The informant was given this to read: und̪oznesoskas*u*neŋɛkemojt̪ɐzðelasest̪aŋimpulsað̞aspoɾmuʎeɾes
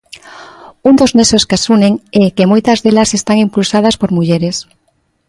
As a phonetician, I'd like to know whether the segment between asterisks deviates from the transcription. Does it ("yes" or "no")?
no